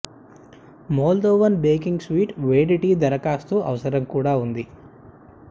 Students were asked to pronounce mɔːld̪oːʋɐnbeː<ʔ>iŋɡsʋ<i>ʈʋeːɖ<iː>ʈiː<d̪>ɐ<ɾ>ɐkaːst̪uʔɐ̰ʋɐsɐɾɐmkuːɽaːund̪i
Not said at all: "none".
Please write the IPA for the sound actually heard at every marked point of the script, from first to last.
k, iː, i, d̪, ɾ

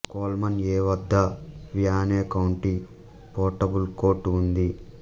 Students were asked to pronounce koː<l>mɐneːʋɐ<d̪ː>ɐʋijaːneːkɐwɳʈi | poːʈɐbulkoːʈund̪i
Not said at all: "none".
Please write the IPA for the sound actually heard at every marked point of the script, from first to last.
l, d̪ː

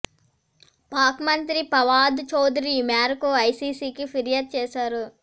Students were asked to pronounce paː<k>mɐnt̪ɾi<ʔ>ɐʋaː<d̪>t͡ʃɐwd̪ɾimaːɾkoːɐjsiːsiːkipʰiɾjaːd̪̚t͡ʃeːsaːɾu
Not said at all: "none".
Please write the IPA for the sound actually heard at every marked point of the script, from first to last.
k, p, d̪

